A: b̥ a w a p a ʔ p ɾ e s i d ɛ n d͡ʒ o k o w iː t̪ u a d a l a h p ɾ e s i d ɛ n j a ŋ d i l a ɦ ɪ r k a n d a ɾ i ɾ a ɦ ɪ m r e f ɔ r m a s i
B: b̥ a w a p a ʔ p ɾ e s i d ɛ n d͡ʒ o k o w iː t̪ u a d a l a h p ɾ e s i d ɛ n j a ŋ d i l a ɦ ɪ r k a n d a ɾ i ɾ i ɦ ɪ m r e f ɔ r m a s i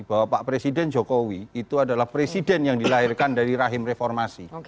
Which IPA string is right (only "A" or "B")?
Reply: A